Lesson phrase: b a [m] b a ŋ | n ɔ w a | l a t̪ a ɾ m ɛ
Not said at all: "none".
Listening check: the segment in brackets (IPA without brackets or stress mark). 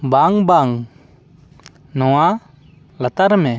ŋ